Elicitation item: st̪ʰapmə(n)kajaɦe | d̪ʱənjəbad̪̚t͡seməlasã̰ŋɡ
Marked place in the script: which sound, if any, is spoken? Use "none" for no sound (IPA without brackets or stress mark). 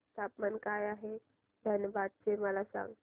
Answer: n